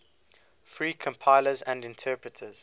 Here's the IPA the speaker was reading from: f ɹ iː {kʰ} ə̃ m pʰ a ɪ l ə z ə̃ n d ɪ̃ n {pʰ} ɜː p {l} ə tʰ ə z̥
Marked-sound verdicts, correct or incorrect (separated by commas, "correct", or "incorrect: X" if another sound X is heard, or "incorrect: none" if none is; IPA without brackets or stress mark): correct, incorrect: tʰ, incorrect: ɹ